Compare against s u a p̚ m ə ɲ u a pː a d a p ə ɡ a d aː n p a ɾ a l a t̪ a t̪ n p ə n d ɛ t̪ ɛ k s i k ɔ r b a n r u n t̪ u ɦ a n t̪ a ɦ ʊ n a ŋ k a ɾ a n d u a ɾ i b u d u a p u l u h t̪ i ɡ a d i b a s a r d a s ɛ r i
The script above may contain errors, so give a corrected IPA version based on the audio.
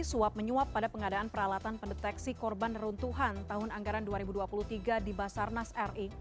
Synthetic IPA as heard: s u a p̚ m ə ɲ u a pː a d a p ə ŋ a d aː n p ə ɾ a l a t̪ a n p ə n d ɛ t̪ ɛ k s i k ɔ r b a n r u n t̪ u ɦ a n t̪ a ɦ ʊ n a ŋ ɡ a ɾ a n d u a ɾ i b u d u a p u l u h t̪ i ɡ a d i b a s a r n a s ɛ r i